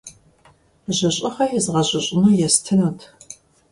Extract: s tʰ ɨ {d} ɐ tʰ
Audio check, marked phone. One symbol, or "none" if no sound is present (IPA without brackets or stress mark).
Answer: n